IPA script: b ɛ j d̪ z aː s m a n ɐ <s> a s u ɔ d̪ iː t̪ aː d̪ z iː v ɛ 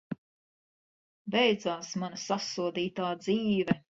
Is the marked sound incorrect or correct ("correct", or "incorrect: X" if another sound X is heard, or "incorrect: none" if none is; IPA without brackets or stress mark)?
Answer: correct